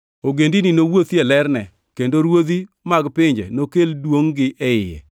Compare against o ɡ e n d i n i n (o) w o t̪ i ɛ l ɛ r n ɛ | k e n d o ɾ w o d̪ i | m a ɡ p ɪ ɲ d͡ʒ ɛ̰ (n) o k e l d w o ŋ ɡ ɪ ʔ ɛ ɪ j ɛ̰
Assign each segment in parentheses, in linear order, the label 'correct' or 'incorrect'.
correct, correct

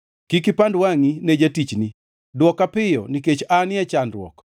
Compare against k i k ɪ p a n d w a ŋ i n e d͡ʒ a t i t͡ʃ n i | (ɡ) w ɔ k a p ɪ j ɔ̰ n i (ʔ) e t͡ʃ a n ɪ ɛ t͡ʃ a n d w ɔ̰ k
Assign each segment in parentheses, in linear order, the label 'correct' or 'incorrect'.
incorrect: d, incorrect: k

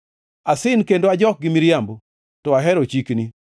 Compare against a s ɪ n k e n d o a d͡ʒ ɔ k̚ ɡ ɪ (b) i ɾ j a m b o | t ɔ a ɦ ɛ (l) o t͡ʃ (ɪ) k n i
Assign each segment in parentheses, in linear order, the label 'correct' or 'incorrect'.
incorrect: m, incorrect: ɾ, incorrect: i

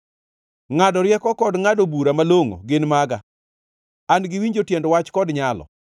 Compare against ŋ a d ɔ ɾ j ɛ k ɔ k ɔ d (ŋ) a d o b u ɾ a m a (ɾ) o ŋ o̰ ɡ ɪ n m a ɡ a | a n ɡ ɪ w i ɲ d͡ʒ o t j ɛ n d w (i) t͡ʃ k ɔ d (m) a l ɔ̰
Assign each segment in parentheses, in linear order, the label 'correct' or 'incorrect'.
correct, incorrect: l, incorrect: a, incorrect: ɲ

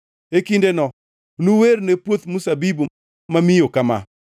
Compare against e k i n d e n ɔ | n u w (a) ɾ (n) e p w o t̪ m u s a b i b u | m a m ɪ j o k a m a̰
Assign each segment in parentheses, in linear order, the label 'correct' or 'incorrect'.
incorrect: e, correct

